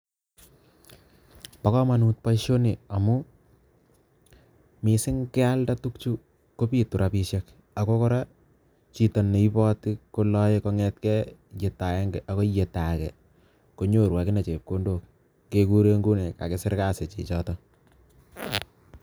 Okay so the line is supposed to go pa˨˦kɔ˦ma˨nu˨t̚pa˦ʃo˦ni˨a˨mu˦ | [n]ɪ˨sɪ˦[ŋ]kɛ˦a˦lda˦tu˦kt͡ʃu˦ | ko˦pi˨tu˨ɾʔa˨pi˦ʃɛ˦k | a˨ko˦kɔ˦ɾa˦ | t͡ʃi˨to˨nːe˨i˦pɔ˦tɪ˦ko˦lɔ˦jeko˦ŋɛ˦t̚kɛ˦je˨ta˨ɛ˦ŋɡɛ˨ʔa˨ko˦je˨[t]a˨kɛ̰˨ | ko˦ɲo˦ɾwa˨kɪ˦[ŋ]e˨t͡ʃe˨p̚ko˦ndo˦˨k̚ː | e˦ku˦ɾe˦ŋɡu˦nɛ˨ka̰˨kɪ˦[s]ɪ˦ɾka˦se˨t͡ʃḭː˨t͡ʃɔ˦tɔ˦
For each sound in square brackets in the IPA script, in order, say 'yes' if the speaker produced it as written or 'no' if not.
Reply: no, yes, yes, no, yes

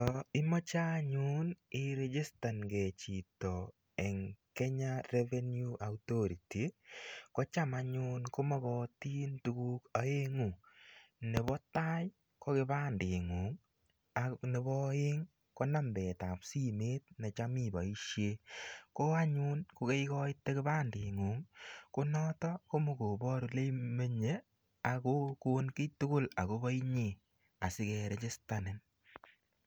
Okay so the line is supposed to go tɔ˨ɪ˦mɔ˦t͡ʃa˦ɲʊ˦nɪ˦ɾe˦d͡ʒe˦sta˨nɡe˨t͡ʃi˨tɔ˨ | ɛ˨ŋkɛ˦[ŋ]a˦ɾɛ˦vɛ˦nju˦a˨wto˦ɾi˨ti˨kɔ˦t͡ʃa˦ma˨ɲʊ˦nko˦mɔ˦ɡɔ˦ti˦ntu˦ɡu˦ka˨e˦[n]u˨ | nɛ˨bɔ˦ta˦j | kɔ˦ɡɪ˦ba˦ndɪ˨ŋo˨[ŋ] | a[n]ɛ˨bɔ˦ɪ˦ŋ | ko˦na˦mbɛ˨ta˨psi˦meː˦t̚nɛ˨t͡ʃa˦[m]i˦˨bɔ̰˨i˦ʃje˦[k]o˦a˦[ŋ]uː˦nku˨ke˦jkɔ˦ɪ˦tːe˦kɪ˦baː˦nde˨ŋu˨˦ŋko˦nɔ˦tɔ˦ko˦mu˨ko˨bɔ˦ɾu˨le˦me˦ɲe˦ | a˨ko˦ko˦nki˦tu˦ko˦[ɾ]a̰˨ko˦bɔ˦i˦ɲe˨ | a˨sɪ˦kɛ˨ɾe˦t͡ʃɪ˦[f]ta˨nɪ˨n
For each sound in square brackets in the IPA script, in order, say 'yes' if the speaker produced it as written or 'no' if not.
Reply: no, no, yes, yes, yes, yes, no, no, no

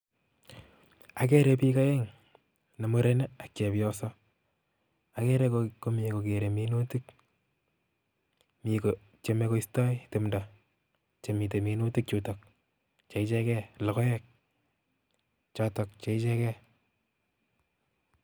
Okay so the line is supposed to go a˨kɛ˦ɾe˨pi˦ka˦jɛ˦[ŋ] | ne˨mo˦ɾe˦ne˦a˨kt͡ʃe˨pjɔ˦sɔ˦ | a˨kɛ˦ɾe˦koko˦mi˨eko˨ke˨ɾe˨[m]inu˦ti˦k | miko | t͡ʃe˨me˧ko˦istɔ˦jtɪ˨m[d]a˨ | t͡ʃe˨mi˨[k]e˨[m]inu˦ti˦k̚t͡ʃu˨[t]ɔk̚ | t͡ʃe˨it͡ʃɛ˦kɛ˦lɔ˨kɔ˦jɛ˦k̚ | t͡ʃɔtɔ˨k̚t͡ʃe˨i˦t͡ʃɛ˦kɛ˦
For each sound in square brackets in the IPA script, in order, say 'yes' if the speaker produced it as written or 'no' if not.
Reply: yes, yes, yes, no, yes, yes

